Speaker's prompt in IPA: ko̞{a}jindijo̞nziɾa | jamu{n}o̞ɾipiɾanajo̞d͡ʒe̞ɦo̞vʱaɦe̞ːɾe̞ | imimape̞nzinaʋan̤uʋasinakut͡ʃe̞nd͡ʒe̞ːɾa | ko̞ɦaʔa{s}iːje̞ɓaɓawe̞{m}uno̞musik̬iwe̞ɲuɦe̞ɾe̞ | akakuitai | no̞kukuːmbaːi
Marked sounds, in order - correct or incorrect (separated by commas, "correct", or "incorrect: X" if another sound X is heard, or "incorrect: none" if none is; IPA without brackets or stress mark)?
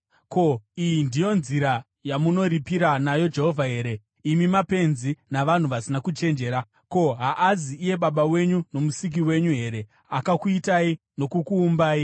incorrect: i, correct, incorrect: z, incorrect: ɲ